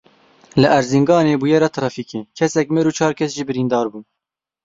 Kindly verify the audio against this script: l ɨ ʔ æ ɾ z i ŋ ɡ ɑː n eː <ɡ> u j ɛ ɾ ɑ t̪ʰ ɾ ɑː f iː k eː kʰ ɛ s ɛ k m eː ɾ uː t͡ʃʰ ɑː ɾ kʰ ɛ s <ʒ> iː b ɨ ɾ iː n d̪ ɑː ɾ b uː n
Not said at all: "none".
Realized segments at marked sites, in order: b, ʒ

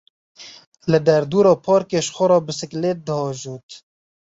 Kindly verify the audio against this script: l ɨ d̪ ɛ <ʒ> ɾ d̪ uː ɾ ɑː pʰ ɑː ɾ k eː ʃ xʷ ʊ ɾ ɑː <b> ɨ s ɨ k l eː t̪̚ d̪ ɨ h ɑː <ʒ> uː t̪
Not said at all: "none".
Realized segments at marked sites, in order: none, b, ʒ

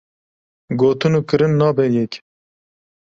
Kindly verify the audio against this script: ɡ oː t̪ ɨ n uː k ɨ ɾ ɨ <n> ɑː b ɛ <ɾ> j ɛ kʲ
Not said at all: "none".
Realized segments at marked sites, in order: nː, none

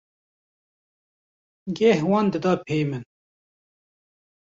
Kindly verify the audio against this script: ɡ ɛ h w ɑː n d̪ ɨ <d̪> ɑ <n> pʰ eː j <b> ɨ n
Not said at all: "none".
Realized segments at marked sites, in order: d̪, none, m

